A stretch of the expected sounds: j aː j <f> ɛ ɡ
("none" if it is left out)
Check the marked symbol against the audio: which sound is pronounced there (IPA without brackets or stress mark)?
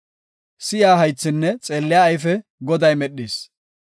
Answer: f